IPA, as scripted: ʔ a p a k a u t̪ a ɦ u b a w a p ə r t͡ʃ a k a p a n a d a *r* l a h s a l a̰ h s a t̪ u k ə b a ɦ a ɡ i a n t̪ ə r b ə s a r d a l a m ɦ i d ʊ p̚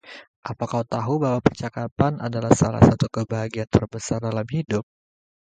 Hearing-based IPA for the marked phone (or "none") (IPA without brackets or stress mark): none